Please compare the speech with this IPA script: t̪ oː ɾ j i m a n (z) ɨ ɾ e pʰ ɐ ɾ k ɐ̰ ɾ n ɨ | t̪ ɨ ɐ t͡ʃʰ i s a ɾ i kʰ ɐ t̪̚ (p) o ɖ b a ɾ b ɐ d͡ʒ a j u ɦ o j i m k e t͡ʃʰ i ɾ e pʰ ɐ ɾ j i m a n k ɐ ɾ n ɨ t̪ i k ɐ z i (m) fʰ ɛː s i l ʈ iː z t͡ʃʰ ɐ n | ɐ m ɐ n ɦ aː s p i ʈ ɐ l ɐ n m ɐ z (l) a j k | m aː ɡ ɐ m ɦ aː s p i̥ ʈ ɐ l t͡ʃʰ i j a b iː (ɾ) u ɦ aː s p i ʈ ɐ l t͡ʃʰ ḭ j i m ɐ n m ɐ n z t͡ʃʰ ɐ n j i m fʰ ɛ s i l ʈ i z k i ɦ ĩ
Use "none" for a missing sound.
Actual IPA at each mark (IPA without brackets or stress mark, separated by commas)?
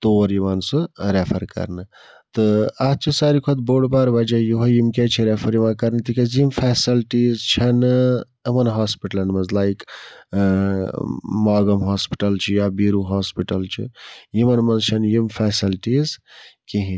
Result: s, b, m, l, ɾ